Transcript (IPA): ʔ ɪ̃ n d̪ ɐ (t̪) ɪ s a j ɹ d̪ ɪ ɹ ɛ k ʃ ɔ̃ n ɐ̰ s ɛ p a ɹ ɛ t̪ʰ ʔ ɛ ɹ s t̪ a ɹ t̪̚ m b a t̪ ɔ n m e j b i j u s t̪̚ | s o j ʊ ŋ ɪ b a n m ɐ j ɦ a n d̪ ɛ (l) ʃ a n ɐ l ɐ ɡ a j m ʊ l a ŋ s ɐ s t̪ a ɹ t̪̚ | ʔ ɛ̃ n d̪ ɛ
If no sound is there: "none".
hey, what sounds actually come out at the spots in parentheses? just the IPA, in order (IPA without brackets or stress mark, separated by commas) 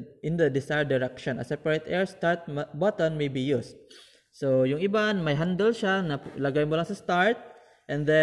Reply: d̪, l